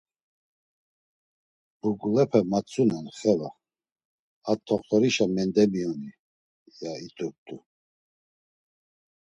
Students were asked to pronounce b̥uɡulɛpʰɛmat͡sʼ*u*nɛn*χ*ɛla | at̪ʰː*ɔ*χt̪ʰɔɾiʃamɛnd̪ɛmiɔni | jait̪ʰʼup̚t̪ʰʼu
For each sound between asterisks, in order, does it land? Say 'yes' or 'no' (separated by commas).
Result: yes, yes, yes